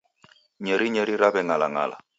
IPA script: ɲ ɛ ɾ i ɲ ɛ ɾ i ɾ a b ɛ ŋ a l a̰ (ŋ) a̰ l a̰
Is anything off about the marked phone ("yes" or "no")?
no